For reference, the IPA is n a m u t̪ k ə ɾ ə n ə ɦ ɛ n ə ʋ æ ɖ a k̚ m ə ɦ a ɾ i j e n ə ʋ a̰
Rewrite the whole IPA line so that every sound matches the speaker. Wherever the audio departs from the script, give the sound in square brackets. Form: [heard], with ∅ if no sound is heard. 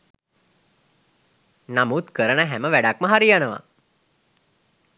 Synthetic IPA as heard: n a m u t̪ k ə ɾ ə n ə ɦ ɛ [m] ə ʋ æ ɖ a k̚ m ə ɦ a ɾ i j [a] n ə ʋ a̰